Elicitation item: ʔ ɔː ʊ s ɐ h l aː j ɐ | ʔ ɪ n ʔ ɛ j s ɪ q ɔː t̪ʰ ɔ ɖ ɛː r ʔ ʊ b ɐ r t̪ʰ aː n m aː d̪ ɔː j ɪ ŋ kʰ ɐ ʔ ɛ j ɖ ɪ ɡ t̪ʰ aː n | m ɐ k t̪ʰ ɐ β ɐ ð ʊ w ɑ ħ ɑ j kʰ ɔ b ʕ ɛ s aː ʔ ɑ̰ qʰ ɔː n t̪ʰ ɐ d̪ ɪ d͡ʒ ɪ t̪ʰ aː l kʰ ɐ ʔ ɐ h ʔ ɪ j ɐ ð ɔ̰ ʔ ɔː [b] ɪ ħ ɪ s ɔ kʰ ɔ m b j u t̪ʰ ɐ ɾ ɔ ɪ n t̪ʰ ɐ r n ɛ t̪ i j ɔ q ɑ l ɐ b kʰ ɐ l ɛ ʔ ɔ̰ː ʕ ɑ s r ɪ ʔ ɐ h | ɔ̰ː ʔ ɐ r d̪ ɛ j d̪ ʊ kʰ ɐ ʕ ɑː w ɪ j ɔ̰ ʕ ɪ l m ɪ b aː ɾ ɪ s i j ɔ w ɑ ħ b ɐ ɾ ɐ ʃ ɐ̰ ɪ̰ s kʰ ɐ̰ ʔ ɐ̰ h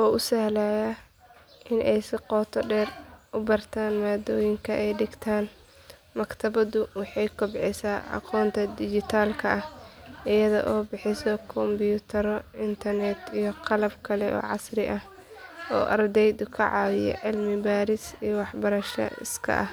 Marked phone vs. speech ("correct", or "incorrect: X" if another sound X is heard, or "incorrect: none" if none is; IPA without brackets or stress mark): correct